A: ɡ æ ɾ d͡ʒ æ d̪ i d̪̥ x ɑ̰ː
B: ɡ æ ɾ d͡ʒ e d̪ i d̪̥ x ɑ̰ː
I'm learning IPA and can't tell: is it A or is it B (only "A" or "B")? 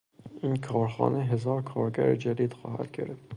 A